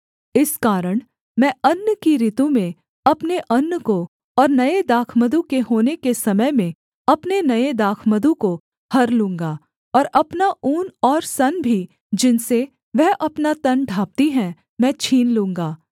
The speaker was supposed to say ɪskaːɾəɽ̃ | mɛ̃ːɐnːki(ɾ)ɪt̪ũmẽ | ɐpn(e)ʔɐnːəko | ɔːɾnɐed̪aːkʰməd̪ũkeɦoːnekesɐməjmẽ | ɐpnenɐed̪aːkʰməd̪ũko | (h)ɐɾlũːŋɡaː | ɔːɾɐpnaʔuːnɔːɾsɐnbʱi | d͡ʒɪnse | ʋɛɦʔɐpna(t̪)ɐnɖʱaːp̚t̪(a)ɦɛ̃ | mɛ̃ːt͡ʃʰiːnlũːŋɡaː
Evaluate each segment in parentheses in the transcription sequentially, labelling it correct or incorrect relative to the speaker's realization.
correct, correct, correct, correct, incorrect: i

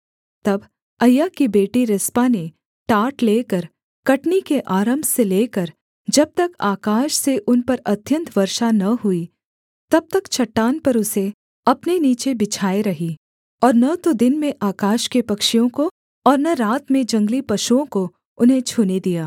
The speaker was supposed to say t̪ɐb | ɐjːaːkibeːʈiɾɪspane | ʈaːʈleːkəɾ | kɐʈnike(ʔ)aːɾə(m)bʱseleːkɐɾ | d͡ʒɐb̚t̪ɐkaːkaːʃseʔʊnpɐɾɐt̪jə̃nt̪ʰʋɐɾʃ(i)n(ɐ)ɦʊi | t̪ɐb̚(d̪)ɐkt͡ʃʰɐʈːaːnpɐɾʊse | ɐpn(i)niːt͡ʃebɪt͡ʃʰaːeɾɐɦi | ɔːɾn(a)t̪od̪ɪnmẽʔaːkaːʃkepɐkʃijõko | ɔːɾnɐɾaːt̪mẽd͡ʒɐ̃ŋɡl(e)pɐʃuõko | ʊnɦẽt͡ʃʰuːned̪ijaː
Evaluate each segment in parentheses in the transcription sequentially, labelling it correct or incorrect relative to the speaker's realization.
correct, correct, incorrect: a, correct, incorrect: t̪, incorrect: e, incorrect: ɐ, incorrect: i

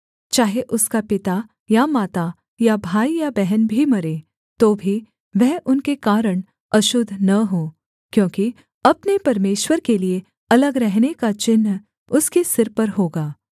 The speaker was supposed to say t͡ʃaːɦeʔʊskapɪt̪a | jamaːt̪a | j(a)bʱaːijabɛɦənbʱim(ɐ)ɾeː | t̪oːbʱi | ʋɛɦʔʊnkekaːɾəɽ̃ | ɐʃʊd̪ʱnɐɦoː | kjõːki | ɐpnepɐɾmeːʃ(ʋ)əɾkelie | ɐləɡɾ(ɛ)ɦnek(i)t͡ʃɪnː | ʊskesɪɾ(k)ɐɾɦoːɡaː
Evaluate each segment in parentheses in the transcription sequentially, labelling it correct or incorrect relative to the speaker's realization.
correct, correct, incorrect: w, correct, incorrect: a, incorrect: p

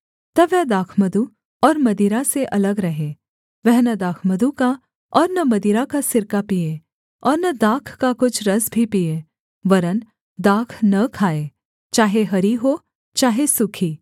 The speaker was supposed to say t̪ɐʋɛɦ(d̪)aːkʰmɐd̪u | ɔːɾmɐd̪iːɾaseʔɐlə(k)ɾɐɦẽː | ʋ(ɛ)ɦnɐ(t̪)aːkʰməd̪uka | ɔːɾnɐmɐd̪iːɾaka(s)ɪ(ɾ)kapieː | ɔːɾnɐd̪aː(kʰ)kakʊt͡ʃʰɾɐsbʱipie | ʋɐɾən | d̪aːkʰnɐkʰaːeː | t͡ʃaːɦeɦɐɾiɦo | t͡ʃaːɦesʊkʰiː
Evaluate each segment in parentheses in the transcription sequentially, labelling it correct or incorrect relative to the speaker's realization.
correct, incorrect: ɡ, correct, incorrect: d̪, correct, correct, correct

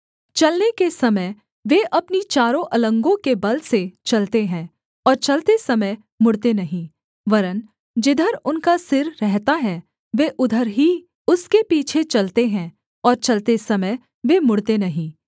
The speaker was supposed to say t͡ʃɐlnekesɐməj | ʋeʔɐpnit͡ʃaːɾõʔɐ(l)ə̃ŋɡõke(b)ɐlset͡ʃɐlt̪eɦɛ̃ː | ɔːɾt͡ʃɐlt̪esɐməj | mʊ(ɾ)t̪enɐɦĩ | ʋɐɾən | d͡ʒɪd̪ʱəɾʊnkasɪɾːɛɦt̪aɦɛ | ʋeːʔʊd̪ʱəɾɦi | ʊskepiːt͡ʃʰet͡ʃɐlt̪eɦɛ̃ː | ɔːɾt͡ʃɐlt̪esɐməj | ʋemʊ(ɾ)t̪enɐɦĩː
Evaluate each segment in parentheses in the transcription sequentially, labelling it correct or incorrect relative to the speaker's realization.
correct, correct, incorrect: ɽ, incorrect: ɽ

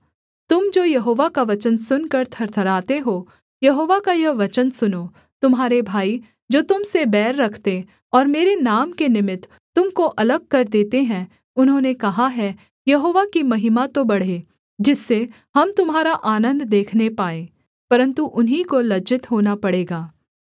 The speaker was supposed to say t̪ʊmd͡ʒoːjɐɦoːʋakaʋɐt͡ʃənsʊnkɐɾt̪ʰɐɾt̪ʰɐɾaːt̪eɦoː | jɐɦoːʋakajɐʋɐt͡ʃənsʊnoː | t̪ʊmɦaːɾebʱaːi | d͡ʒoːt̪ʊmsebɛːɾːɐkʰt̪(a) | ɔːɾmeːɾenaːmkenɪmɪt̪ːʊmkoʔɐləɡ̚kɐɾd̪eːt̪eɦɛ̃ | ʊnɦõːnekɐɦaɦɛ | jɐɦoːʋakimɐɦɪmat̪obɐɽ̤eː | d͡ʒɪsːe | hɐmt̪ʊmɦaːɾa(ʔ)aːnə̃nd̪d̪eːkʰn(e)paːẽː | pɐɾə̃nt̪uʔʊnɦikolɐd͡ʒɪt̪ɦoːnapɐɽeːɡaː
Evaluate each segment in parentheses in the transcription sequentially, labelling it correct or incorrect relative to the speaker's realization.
incorrect: e, correct, correct

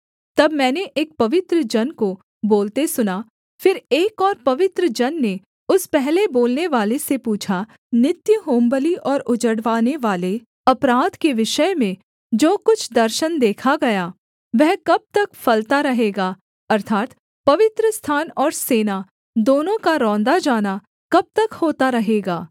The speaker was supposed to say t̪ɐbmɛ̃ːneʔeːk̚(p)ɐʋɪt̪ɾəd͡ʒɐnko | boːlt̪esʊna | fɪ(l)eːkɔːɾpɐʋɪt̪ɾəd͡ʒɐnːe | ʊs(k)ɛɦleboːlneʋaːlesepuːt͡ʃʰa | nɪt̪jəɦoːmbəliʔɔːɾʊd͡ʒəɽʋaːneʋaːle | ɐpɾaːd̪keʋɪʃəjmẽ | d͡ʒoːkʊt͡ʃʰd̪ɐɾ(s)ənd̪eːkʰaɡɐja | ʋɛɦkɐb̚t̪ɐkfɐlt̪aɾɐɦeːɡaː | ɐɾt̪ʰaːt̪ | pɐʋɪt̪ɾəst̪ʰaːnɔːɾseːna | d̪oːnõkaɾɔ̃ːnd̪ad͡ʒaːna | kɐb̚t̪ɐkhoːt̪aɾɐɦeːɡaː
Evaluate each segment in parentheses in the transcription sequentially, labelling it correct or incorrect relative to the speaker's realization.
correct, incorrect: ɾ, incorrect: p, incorrect: ʃ

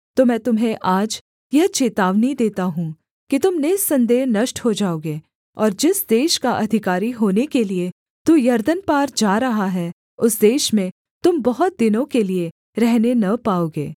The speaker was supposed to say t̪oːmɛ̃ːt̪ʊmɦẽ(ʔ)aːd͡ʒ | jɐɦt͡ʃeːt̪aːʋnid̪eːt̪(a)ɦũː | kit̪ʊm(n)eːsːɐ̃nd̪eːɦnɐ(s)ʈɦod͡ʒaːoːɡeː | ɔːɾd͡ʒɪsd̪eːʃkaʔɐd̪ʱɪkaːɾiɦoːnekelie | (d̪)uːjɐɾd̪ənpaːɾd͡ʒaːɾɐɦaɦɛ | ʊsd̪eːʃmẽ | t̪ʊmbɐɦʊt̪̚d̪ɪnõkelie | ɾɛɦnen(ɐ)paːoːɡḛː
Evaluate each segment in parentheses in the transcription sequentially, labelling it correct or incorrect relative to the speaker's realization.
correct, correct, correct, incorrect: ʃ, incorrect: t̪, correct

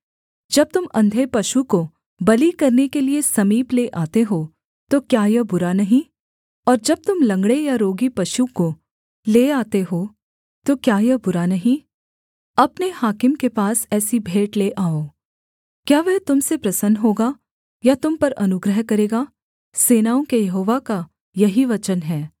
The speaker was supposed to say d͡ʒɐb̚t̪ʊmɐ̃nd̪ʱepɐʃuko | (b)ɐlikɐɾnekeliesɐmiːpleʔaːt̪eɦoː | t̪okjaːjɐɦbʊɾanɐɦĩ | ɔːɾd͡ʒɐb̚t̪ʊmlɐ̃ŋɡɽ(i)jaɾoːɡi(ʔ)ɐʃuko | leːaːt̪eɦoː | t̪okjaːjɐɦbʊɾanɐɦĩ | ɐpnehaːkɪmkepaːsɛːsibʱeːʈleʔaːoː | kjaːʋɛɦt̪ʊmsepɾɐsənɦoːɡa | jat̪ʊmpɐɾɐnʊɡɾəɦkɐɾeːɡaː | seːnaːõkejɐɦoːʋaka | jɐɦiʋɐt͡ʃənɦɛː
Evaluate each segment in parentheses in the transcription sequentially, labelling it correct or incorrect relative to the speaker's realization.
correct, incorrect: e, incorrect: p

